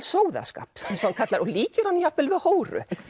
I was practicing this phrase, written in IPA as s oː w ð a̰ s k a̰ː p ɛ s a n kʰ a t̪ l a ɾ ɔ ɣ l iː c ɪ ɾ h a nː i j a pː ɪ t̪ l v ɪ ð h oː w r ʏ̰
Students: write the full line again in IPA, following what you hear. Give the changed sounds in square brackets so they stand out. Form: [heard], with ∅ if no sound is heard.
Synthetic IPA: s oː w ð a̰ s k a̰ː p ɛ s a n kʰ a t̪ l a ɾ ɔ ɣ l iː c ɪ ɾ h a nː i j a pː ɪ [∅] l v ɪ ð h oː w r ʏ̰